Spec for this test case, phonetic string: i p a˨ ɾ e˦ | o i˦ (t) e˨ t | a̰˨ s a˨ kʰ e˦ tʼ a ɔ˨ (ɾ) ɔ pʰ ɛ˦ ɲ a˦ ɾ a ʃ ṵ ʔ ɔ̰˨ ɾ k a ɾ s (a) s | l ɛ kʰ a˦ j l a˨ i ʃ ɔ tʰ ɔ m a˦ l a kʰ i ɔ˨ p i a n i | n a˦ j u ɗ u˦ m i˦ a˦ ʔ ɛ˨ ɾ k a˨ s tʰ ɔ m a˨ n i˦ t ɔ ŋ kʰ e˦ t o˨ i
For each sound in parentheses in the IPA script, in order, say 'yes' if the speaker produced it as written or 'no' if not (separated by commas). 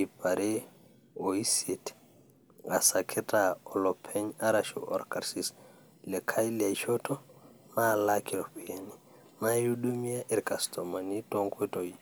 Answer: no, no, no